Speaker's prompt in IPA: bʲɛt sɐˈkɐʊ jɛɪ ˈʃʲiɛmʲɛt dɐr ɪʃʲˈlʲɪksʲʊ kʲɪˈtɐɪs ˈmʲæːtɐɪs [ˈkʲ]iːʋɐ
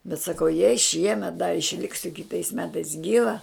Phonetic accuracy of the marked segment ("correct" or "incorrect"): incorrect